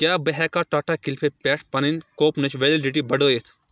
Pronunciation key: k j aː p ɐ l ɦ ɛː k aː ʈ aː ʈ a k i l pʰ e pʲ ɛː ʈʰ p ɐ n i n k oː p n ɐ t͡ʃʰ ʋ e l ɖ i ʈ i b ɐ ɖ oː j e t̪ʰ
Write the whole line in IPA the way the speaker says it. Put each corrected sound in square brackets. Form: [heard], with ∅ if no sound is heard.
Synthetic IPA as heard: k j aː [b] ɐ [∅] ɦ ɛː k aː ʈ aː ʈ a k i l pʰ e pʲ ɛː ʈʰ p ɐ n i n k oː p n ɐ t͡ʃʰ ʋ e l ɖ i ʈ i b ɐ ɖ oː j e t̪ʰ